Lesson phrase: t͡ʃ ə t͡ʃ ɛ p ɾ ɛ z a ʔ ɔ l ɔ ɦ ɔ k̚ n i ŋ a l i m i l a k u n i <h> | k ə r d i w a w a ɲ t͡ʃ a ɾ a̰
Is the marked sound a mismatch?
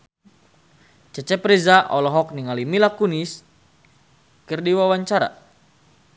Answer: yes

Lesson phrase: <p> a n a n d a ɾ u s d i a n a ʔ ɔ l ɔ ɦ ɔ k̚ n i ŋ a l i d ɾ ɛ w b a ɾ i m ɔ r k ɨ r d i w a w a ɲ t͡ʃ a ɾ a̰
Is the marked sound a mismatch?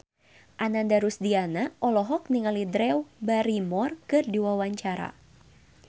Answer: yes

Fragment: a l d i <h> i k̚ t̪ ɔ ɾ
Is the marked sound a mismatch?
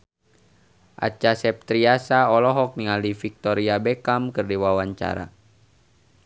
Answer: yes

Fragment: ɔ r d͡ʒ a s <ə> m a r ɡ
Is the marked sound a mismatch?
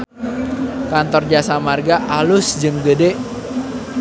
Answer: yes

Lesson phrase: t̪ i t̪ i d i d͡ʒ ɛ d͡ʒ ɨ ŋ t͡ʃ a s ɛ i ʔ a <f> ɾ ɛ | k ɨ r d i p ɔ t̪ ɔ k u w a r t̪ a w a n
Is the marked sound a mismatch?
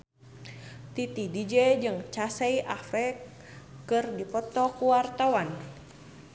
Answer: no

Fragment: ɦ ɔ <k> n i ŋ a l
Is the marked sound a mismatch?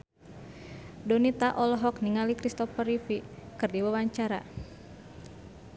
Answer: no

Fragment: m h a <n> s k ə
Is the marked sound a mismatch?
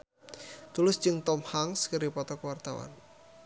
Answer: yes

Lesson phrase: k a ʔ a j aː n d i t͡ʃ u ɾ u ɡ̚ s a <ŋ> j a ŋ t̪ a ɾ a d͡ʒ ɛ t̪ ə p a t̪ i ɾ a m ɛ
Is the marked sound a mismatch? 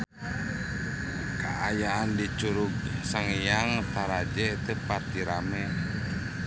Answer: no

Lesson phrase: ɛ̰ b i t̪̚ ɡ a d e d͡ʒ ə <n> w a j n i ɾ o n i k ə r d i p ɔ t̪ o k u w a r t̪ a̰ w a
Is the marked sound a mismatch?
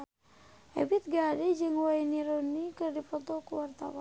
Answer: yes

